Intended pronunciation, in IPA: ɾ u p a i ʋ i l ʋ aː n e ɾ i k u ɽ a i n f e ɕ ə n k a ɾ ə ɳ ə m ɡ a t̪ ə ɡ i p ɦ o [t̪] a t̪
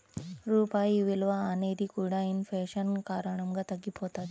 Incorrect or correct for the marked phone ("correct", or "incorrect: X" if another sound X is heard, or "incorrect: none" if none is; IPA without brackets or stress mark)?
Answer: correct